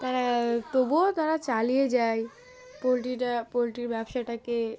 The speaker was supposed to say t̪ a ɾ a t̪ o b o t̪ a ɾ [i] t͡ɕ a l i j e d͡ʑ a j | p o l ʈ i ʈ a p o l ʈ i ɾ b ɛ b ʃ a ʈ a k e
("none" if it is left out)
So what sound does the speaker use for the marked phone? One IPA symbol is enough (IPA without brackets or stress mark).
a